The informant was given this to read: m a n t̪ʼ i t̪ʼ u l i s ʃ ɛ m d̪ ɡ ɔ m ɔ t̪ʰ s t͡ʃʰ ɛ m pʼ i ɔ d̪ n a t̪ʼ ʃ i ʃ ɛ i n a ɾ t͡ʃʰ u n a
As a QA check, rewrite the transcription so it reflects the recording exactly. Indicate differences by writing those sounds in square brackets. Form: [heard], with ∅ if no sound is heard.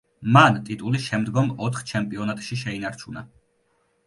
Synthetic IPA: m a n t̪ʼ i t̪ʼ u l i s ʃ ɛ m d̪ ɡ ɔ m ɔ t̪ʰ [χ] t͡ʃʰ ɛ m pʼ i ɔ [∅] n a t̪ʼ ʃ i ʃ ɛ i n a ɾ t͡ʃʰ u n a